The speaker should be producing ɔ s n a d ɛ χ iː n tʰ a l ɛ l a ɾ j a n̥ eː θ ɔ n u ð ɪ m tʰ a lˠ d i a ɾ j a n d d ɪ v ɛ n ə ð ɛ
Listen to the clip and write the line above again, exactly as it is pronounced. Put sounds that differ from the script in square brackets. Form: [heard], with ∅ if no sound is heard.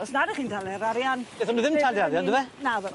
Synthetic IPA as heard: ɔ s n a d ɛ χ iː n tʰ a l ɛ [ɾ] a ɾ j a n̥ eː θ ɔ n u ð ɪ m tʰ a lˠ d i a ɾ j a n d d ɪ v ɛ n [a] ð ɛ